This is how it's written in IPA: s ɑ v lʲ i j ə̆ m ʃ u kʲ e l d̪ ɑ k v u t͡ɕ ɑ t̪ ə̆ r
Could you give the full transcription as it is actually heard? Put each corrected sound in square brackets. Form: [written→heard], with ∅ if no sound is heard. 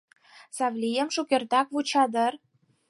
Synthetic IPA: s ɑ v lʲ i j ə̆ m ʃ u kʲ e [l→r] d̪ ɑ k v u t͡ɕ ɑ [t̪→d̪] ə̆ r